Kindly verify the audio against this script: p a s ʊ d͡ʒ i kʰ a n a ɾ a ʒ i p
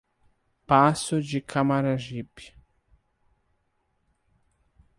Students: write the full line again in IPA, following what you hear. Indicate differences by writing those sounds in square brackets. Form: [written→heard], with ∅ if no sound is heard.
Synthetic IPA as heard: p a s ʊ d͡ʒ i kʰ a [n→m] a ɾ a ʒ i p